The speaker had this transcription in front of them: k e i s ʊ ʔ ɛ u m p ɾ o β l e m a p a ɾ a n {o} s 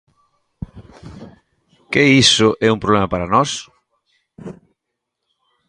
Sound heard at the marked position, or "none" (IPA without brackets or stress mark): ɔ